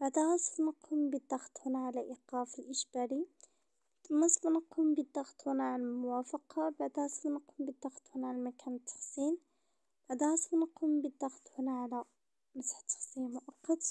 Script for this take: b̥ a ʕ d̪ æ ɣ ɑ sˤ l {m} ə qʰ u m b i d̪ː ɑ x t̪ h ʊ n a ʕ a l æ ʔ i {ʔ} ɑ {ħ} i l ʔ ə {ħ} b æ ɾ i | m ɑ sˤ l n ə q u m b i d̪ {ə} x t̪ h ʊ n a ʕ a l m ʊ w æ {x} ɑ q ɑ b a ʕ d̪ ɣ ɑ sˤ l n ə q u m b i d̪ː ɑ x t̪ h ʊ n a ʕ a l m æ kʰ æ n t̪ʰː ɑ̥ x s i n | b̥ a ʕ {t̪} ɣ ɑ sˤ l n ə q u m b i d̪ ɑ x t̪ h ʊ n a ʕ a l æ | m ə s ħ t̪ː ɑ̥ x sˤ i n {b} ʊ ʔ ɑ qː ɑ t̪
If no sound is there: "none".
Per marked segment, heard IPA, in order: n, q, f, ʃ, ɑ, f, d̪, m

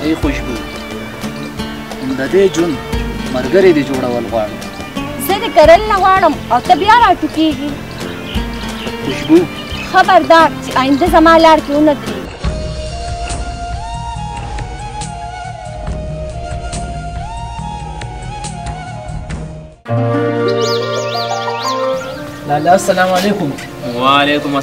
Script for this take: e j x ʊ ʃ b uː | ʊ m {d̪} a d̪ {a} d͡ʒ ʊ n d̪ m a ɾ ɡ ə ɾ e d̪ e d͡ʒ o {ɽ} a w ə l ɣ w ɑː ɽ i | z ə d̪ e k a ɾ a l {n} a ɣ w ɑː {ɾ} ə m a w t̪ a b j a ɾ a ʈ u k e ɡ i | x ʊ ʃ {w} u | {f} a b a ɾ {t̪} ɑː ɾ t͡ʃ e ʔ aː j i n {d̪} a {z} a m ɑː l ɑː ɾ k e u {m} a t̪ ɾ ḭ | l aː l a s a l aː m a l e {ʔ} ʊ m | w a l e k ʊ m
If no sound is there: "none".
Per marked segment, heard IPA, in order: d̪, e, ɽ, n, ɽ, b, x, d̪, d̪, z, n, k

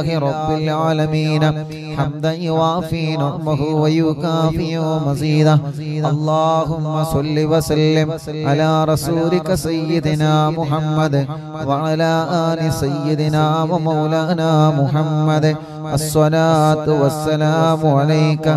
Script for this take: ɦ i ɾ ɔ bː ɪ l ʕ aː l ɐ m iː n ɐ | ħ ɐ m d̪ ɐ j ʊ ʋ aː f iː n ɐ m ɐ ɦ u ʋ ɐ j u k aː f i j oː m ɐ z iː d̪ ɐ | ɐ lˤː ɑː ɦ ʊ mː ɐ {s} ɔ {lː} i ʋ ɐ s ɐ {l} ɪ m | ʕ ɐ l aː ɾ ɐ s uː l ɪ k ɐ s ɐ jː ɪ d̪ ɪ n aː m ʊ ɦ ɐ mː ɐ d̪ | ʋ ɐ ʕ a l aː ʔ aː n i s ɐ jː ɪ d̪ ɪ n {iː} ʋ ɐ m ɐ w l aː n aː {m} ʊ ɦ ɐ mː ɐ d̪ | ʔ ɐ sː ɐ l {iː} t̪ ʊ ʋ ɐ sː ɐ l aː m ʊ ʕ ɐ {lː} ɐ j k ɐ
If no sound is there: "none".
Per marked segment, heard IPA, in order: s, lː, lː, aː, m, aː, l

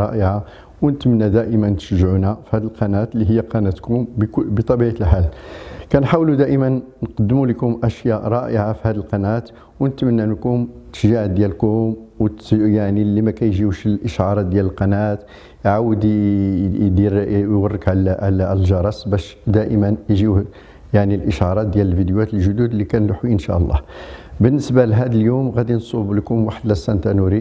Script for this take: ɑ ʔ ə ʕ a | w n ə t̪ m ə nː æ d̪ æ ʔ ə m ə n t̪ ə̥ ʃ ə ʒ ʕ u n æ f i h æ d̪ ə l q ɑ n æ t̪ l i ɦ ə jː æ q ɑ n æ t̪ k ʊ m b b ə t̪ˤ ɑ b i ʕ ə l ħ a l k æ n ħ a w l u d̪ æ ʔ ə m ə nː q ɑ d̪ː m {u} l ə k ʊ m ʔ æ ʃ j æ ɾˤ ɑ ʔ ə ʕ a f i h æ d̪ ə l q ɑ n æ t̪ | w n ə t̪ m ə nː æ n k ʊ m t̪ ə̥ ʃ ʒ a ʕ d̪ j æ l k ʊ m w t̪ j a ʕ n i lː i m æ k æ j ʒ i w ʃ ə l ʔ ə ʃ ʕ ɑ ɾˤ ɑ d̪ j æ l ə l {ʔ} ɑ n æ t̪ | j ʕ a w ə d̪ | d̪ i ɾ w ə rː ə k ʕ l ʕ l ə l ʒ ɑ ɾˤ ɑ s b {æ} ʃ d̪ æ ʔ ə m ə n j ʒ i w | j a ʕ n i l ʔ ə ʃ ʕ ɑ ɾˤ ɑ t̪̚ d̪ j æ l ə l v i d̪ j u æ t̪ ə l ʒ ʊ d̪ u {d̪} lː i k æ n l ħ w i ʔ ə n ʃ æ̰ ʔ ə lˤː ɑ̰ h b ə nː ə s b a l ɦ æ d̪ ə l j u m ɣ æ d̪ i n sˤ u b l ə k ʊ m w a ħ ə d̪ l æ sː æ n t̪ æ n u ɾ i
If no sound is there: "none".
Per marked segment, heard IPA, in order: u, q, æ, d̪

